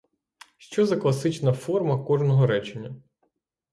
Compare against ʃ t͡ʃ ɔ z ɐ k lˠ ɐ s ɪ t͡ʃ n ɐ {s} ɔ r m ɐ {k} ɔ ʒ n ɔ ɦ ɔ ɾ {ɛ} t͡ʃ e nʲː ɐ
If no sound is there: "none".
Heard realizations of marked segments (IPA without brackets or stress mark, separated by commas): f, k, ɛ